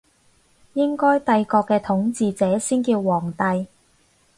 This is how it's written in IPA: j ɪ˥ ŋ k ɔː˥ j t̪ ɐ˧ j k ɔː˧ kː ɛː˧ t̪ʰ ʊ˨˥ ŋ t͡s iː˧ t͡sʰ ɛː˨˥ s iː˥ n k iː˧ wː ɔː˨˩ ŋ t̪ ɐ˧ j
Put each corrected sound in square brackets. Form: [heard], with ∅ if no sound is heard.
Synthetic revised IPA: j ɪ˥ ŋ k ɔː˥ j t̪ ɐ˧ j k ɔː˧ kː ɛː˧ t̪ʰ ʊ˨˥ ŋ t͡s iː˧ [t͡s] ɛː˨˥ s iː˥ n k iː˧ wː ɔː˨˩ ŋ t̪ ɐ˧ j